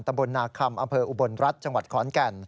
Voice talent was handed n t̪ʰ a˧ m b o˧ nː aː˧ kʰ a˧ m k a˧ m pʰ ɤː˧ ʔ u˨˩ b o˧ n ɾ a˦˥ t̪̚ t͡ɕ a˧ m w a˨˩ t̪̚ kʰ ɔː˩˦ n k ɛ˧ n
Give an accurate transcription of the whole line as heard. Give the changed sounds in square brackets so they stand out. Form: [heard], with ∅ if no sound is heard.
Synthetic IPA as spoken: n [t̪] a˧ m b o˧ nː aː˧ kʰ a˧ m [ʔ] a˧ m pʰ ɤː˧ ʔ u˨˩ b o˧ n ɾ a˦˥ t̪̚ t͡ɕ a˧ [ŋ] w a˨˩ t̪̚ kʰ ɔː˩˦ n k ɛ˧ n